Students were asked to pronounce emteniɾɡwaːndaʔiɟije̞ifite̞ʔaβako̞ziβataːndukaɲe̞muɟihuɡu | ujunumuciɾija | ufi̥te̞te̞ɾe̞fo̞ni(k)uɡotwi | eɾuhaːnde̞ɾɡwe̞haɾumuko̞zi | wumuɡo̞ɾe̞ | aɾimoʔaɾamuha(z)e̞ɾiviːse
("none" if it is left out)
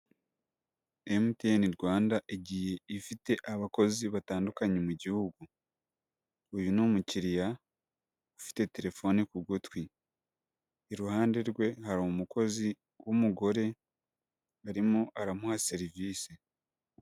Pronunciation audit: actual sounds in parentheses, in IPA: k, s

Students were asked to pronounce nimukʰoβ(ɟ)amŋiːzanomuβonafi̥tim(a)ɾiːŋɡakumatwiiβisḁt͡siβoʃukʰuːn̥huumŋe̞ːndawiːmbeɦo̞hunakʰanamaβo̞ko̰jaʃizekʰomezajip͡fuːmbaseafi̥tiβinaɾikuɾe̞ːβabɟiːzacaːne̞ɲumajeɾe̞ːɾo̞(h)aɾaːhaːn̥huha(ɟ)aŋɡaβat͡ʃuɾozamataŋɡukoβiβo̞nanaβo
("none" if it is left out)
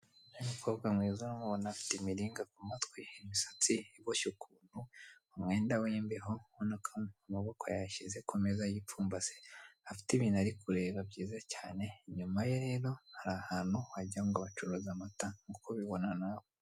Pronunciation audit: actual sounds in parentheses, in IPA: ɡ, i, h, ɟ

